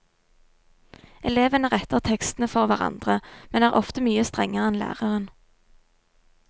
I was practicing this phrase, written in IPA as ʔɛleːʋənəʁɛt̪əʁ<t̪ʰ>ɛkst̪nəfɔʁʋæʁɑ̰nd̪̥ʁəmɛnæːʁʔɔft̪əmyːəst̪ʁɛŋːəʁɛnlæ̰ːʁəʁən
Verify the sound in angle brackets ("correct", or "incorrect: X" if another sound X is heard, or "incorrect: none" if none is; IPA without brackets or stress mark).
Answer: correct